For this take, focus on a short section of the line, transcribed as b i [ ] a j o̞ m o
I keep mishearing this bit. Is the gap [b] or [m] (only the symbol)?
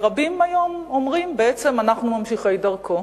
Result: m